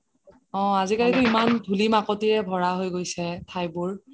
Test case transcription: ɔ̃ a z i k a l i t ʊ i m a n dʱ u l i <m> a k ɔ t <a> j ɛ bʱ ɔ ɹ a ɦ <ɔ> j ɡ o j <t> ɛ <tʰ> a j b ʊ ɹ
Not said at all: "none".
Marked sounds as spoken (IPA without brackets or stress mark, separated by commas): m, i, o, s, tʰ